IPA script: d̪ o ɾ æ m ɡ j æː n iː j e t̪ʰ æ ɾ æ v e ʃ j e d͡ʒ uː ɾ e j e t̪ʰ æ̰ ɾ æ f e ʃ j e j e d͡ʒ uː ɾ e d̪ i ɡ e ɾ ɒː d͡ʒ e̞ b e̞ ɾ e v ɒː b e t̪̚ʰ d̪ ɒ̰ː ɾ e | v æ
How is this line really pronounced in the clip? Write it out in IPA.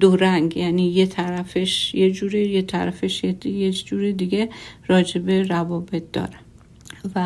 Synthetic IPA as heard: d̪ o ɾ æ ŋ ɡ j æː n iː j e t̪ʰ æ ɾ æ f e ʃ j e d͡ʒ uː ɾ e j e t̪ʰ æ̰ ɾ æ f e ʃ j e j e d͡ʒ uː ɾ e d̪ i ɡ e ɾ ɒː d͡ʒ e̞ b e̞ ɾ æ v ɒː b e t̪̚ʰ d̪ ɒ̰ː ɾ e | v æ